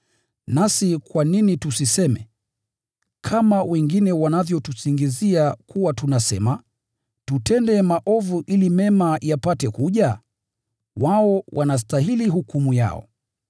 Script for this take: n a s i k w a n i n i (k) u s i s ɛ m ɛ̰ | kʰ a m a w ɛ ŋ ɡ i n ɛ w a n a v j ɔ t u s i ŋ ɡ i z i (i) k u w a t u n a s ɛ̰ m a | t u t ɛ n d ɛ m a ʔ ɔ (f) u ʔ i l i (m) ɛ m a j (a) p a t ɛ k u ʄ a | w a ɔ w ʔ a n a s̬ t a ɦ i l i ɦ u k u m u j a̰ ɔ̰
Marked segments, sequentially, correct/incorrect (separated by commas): incorrect, incorrect, incorrect, correct, correct